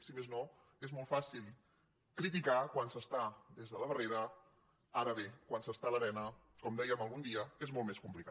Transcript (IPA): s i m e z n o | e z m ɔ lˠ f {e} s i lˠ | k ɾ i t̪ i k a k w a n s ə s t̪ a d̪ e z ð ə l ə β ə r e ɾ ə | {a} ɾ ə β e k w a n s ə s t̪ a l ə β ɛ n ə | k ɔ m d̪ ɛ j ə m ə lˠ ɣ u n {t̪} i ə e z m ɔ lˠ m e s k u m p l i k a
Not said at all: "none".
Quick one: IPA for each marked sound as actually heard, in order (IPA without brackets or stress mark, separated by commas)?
a, a, d̪